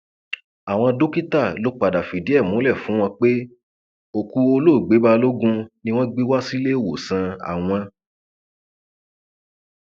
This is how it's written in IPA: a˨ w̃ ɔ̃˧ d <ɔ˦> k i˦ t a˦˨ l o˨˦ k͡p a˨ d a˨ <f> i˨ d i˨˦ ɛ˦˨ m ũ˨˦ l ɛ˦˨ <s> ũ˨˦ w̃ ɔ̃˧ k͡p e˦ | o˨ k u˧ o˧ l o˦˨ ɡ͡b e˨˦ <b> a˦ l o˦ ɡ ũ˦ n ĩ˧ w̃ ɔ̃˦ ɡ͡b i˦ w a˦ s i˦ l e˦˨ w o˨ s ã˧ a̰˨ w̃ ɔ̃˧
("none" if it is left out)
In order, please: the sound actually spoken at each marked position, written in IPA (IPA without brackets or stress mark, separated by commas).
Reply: o˦, f, f, b